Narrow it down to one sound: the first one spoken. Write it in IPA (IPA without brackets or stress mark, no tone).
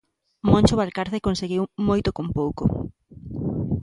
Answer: m